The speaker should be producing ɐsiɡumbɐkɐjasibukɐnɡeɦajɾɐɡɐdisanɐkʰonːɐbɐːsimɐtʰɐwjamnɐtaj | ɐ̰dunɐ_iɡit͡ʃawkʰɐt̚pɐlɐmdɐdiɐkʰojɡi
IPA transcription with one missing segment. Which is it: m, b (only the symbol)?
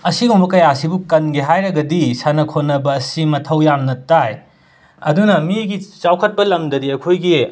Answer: m